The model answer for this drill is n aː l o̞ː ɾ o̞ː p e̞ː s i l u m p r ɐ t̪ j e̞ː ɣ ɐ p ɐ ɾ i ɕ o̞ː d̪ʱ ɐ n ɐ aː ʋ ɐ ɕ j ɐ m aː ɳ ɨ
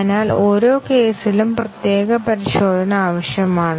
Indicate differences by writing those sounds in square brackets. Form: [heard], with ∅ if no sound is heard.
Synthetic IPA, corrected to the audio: n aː l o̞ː ɾ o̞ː [k] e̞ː s i l u m p r ɐ t̪ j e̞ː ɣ ɐ p ɐ ɾ i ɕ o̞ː d̪ʱ ɐ n ɐ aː ʋ ɐ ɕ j ɐ m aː ɳ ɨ

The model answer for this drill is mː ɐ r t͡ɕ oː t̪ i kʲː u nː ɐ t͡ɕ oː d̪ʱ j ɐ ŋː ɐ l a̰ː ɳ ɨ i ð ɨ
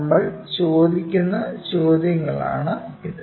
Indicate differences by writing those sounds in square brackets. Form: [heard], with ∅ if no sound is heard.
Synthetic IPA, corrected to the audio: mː ɐ [ɭ] t͡ɕ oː [d̪] i kʲː u nː ɐ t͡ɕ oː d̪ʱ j ɐ ŋː ɐ [ɭ] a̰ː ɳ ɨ i ð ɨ

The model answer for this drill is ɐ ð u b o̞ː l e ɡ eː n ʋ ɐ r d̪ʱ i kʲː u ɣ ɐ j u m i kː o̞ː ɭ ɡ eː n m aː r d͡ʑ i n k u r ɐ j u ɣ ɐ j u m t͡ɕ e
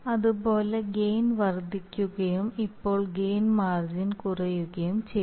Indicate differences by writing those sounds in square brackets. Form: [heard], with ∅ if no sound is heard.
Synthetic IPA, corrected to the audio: ɐ ð u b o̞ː l e ɡ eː n ʋ ɐ r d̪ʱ i kʲː u ɣ ɐ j u m i [pː] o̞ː ɭ ɡ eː n m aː r d͡ʑ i n k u r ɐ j u ɣ ɐ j u m t͡ɕ e

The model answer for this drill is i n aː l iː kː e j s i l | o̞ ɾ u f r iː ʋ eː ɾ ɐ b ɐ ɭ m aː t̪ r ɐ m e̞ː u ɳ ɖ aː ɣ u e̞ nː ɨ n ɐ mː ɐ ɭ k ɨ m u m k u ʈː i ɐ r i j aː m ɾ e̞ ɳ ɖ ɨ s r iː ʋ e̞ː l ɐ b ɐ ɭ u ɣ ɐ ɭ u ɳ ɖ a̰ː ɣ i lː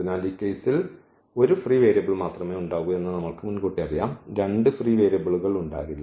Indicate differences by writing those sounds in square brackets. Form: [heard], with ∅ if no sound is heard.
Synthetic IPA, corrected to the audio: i n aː l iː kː e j s i l | o̞ ɾ u f r iː ʋ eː ɾ ɐ b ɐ ɭ m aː t̪ r ɐ m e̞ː u ɳ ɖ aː ɣ u e̞ nː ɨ n ɐ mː ɐ ɭ k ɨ m u [n] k u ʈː i ɐ r i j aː m ɾ e̞ ɳ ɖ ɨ [f] r iː ʋ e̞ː [ɾ] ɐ b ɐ ɭ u ɣ ɐ ɭ u ɳ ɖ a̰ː ɣ i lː

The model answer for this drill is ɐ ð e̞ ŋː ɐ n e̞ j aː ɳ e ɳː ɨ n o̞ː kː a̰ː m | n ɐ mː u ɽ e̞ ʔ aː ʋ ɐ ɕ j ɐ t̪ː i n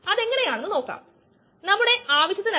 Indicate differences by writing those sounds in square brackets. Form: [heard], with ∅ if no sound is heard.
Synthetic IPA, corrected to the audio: ɐ ð e̞ ŋː ɐ n e̞ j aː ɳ e [nː] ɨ n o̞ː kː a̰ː m | n ɐ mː u ɽ e̞ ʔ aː ʋ ɐ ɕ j ɐ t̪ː i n

